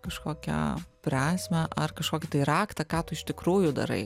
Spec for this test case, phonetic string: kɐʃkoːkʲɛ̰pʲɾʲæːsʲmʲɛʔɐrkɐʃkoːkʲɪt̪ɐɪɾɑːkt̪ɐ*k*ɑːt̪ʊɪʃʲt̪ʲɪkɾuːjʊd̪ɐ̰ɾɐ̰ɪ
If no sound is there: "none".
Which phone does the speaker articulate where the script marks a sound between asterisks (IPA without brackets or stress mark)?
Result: k